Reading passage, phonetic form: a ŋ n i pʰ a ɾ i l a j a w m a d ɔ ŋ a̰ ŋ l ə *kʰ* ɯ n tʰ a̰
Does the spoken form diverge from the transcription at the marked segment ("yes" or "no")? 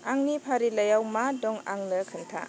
no